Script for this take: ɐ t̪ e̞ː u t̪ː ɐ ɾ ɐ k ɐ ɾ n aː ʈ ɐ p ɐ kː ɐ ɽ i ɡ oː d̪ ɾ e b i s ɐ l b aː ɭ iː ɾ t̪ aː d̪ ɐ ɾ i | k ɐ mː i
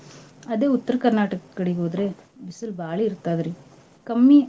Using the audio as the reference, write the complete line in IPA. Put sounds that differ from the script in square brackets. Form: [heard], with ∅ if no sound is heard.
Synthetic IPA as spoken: ɐ [d̪] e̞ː u t̪ː ɐ ɾ ɐ k ɐ ɾ n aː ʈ ɐ [k] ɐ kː ɐ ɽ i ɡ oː d̪ ɾ e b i s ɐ l b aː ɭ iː ɾ t̪ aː d̪ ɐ ɾ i | k ɐ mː i